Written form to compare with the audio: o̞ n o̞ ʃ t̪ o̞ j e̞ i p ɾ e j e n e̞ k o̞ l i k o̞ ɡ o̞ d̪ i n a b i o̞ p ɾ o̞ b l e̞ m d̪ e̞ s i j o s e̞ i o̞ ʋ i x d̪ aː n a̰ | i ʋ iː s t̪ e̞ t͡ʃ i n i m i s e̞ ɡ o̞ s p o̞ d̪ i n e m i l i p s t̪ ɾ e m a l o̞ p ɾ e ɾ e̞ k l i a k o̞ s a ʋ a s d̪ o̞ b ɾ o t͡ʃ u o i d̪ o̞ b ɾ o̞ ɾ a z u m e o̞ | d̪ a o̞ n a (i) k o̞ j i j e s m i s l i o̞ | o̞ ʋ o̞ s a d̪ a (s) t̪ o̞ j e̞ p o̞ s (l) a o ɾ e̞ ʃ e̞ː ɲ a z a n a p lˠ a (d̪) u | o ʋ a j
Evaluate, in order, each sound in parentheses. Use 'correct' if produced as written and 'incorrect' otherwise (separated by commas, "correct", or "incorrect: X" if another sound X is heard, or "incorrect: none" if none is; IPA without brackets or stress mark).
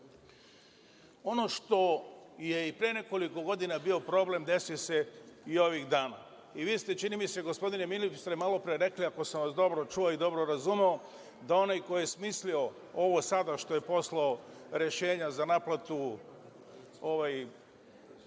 incorrect: j, incorrect: ʃ, correct, incorrect: t̪